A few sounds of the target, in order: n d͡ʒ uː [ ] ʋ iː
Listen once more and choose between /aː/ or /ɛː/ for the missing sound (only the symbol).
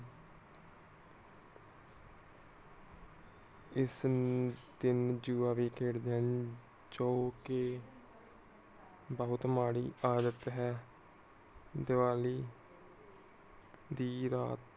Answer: aː